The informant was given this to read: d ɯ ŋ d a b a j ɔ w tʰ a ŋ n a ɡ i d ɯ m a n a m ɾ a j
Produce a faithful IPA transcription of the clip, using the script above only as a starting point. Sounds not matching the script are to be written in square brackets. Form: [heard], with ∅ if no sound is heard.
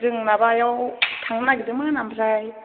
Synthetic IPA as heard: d ɯ ŋ [n] a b a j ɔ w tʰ a ŋ n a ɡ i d ɯ m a n a m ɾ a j